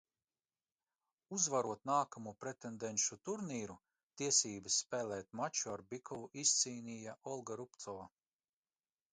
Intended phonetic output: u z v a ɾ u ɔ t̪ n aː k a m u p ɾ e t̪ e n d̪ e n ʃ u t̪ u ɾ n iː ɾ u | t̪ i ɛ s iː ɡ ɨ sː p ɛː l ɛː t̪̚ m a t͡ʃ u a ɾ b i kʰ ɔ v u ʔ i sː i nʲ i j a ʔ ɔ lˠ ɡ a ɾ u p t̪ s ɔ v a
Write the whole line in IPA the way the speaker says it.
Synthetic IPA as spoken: u z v a ɾ u ɔ t̪ n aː k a m u p ɾ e t̪ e n d̪ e n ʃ u t̪ u ɾ n iː ɾ u | t̪ i ɛ s iː b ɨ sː p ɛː l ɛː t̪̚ m a t͡ʃ u a ɾ b i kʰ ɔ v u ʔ i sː iː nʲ i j a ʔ ɔ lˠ ɡ a ɾ u p t̪ s ɔ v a